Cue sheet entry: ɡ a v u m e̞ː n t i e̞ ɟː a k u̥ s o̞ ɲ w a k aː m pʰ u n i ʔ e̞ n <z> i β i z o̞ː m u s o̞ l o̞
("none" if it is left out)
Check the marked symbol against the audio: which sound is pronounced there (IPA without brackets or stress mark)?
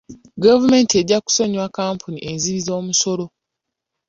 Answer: z